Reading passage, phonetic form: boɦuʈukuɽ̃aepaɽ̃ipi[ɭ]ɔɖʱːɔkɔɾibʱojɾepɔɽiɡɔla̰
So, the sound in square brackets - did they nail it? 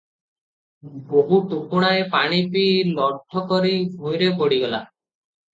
no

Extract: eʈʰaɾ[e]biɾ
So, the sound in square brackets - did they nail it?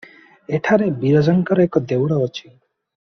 yes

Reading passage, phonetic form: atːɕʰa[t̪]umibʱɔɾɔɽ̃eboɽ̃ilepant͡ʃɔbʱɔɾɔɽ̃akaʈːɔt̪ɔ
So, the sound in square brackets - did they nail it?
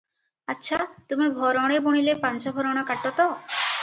yes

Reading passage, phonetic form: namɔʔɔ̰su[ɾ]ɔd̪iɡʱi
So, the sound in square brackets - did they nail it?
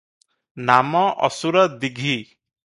yes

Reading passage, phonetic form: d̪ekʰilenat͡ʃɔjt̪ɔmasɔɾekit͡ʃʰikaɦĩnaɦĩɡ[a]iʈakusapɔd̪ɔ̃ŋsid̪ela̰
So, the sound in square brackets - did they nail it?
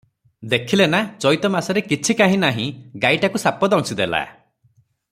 yes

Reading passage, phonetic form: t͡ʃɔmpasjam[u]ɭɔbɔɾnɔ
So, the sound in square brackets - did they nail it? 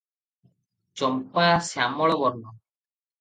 no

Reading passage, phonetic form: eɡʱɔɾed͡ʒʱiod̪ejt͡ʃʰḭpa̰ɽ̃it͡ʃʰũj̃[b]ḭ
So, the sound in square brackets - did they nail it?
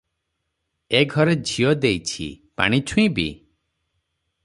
yes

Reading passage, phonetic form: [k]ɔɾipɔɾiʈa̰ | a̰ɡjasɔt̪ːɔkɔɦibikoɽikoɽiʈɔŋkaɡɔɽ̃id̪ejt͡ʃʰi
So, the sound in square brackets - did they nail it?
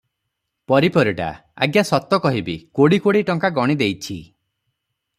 no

